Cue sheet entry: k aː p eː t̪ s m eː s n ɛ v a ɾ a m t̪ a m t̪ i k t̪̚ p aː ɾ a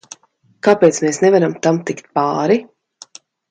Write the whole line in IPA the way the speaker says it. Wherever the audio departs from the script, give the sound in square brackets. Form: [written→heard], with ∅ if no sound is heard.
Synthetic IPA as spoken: k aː p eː t̪ s m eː s n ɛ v a ɾ a m t̪ a m t̪ i k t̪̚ p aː ɾ [a→i]